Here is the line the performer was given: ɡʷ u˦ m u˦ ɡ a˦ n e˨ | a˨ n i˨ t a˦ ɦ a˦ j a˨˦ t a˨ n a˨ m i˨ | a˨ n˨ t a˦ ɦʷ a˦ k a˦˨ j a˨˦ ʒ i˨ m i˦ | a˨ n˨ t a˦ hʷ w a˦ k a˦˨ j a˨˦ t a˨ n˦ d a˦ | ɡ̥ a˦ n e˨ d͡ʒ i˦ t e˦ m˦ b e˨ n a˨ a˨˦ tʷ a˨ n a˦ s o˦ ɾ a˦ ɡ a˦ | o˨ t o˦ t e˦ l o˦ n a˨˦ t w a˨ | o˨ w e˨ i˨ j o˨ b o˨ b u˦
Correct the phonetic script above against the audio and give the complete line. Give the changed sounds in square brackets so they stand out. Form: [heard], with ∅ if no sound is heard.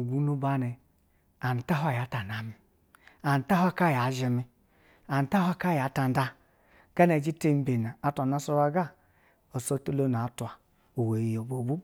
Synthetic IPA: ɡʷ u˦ [n] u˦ [b] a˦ n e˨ | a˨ n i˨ t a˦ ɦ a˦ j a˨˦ t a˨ n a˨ m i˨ | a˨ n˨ t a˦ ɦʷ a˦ k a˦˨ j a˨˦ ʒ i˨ m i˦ | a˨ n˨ t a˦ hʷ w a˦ k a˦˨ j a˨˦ t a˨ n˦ d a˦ | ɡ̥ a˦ n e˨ d͡ʒ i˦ t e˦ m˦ b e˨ n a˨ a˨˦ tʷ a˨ n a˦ s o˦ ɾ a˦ ɡ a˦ | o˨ [s] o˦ t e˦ l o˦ n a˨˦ t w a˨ | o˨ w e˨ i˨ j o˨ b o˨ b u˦

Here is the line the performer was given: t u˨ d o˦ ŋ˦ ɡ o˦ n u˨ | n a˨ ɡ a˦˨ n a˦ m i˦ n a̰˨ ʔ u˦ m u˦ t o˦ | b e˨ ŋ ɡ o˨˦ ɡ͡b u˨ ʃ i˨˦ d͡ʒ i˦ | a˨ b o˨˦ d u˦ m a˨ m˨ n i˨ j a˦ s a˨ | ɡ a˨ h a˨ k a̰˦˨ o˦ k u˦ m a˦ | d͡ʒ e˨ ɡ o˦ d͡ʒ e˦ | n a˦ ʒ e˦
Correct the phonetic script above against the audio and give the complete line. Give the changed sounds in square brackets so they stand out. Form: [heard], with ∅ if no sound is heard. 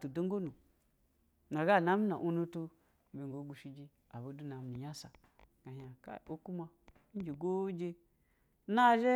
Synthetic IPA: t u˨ d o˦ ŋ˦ ɡ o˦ n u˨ | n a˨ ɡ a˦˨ n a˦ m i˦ n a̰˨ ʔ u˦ [n] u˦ t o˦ | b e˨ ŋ ɡ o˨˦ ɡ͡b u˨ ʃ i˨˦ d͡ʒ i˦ | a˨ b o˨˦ d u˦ [n] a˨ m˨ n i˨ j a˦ s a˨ | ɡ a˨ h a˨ k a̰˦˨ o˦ k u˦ m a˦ | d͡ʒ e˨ ɡ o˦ d͡ʒ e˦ | n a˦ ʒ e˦

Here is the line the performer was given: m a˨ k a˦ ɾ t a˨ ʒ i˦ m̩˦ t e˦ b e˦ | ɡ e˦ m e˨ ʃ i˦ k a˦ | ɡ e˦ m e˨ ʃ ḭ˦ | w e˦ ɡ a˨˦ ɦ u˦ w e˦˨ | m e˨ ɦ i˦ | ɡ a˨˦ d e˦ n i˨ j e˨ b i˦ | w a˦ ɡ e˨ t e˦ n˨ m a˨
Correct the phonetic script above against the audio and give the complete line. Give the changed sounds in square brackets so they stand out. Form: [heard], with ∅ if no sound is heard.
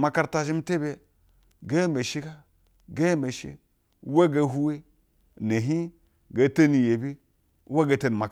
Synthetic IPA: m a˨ k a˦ ɾ t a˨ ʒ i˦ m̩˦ t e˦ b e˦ | ɡ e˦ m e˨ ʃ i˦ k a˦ | ɡ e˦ m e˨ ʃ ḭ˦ | w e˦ ɡ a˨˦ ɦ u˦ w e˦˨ | [n] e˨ ɦ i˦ | ɡ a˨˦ [t] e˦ n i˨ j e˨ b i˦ | w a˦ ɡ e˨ t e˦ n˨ m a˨

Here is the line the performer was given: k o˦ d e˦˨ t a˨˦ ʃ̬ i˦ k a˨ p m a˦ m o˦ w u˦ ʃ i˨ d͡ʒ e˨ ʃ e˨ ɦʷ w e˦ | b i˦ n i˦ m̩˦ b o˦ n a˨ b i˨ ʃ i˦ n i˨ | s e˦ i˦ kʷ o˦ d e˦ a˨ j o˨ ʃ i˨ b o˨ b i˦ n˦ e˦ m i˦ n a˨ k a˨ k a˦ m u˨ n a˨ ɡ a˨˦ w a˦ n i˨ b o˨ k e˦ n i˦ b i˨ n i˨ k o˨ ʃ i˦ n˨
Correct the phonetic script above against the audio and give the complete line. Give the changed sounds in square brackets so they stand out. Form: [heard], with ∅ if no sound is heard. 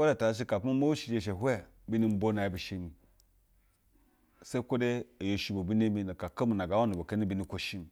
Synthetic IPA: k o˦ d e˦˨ t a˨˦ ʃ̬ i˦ k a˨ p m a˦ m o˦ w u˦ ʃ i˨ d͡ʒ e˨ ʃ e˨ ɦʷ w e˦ | b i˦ n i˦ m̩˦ b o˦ n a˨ b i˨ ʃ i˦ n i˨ | s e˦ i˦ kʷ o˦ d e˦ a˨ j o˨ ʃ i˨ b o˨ b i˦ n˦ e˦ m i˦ n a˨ k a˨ k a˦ m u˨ n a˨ ɡ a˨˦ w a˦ n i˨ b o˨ k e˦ n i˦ b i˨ n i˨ k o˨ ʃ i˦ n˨

